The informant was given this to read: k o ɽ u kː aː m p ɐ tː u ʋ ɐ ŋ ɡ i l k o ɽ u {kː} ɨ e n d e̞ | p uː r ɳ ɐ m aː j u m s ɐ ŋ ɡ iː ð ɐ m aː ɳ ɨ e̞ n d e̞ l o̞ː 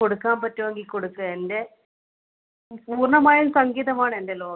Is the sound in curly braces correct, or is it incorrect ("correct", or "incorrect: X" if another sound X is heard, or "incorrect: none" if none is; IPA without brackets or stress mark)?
correct